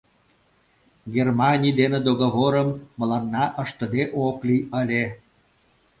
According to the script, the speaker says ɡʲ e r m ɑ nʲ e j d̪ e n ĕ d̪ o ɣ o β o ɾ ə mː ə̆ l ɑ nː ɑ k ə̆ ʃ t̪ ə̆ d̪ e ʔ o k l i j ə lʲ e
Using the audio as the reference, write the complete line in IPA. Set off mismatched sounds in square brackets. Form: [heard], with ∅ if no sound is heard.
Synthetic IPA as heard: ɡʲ e r m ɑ nʲ [i] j d̪ e n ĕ d̪ o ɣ o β o ɾ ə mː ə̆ l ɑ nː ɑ [ʔ] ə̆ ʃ t̪ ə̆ d̪ e ʔ o k l i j ə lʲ e